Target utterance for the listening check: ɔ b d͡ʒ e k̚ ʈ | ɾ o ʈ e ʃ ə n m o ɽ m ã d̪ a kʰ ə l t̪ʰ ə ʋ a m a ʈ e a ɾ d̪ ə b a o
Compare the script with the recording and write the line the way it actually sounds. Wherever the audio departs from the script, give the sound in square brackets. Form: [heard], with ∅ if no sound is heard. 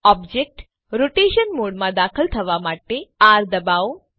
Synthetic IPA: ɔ b d͡ʒ e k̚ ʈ | ɾ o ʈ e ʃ ə n m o ɽ m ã d̪ a kʰ ə l t̪ʰ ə ʋ a m a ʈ e a ɾ d̪ ə b a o